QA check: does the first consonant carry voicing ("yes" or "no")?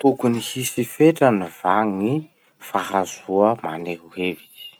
no